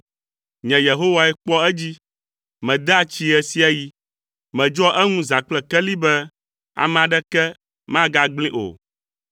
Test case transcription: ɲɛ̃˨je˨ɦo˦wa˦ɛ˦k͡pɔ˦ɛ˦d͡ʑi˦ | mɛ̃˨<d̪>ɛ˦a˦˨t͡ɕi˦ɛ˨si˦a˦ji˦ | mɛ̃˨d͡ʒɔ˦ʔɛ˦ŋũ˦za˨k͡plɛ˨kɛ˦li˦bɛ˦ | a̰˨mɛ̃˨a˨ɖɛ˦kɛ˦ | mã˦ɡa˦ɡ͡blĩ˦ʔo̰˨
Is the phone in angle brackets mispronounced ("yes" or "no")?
no